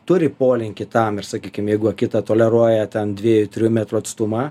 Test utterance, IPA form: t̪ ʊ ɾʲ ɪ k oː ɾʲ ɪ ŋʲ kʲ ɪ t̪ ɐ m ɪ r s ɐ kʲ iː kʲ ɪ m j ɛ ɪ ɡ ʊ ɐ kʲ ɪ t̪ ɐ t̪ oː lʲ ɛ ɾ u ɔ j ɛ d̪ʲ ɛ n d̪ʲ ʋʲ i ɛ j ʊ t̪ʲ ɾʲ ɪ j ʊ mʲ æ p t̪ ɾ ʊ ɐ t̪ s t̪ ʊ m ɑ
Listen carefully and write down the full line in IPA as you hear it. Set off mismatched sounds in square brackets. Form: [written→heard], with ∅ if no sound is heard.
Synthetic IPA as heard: t̪ ʊ ɾʲ ɪ [k→p] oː [ɾʲ→lʲ] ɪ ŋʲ kʲ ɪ t̪ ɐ m ɪ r s ɐ kʲ iː kʲ ɪ m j ɛ ɪ ɡ ʊ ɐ kʲ ɪ t̪ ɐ t̪ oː lʲ ɛ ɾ u ɔ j ɛ [d̪ʲ→t̪ʲ] ɛ n d̪ʲ ʋʲ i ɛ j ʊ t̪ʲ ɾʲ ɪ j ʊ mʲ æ [p→∅] t̪ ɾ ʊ ɐ t̪ s t̪ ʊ m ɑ